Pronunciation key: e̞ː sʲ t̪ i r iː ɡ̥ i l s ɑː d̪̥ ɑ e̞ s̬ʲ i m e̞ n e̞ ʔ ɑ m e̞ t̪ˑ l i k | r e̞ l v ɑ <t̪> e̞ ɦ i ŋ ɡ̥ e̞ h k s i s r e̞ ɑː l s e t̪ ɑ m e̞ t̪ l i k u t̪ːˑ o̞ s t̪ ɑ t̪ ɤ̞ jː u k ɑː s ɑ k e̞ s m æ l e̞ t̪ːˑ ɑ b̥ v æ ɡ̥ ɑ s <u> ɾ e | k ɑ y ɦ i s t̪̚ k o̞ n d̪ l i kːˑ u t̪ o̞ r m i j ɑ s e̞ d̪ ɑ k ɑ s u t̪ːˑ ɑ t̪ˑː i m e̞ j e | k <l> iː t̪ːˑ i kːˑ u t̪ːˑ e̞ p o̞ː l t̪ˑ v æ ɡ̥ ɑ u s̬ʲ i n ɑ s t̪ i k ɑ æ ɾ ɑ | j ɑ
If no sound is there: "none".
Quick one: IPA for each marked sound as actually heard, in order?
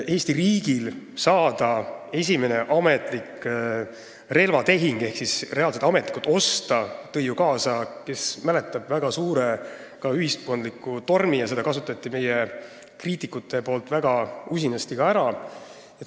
t̪, uː, r

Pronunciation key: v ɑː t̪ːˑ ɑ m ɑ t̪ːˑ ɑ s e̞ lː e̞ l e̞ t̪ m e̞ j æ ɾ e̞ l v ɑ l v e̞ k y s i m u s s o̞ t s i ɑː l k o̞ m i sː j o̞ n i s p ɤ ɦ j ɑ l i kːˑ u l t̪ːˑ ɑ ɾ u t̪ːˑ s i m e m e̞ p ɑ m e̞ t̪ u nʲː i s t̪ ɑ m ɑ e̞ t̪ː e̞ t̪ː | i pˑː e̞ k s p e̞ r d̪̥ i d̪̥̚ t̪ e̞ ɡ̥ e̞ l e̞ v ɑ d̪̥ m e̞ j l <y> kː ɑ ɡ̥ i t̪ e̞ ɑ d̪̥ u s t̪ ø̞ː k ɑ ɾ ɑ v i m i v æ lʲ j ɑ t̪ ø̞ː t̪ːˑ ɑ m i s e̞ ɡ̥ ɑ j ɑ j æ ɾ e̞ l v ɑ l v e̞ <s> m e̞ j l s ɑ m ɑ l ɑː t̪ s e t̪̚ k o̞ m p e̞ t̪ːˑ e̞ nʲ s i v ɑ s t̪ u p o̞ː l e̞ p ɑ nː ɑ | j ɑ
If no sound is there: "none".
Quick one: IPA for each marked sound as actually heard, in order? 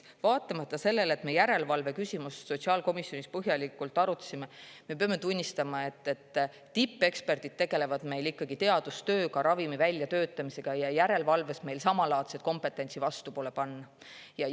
i, s

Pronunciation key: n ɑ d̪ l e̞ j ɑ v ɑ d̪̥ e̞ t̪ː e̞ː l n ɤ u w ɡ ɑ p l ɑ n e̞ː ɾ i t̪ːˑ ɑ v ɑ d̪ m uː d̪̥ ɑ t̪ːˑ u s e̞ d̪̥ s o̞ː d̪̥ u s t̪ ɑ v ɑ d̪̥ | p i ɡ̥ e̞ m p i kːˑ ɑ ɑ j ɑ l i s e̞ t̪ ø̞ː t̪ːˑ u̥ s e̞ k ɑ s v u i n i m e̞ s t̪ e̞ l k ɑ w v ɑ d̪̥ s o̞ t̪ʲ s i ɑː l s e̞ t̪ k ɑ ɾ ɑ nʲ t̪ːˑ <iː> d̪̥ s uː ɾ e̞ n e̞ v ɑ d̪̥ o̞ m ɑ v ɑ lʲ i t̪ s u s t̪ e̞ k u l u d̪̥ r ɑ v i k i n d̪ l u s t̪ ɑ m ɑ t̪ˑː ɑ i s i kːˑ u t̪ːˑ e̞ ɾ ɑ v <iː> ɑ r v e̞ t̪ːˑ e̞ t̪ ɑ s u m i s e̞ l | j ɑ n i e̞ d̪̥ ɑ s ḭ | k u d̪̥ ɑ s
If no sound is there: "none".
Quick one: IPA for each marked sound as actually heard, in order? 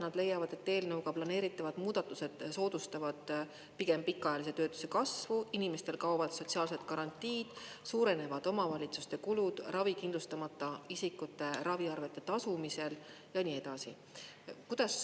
iː, i

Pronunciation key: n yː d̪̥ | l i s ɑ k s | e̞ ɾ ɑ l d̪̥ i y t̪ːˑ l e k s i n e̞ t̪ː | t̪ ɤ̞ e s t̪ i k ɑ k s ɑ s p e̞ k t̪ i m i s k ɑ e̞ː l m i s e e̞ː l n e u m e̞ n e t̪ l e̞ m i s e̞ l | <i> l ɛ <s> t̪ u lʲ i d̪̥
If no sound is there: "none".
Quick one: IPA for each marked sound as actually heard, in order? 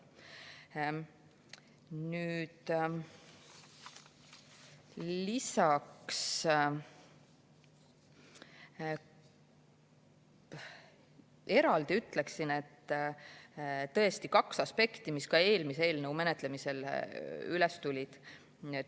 y, s

